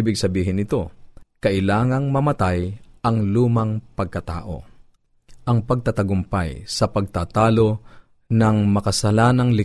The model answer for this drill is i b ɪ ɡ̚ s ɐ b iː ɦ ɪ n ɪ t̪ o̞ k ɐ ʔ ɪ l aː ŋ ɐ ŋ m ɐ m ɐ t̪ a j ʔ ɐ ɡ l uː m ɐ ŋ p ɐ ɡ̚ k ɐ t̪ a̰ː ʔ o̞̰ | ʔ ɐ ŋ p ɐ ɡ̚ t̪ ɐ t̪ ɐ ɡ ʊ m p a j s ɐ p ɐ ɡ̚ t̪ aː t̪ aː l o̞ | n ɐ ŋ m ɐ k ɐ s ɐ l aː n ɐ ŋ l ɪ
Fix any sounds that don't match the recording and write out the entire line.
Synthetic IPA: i b ɪ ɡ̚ s ɐ b iː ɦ ɪ n ɪ t̪ o̞ k ɐ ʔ ɪ l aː ŋ ɐ ŋ m ɐ m ɐ t̪ a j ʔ ɐ ŋ l uː m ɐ ŋ p ɐ ɡ̚ k ɐ t̪ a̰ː ʔ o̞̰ | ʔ ɐ ŋ p ɐ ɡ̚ t̪ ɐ t̪ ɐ ɡ ʊ m p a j s ɐ p ɐ ɡ̚ t̪ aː t̪ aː l o̞ | n ɐ ŋ m ɐ k ɐ s ɐ l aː n ɐ ŋ l ɪ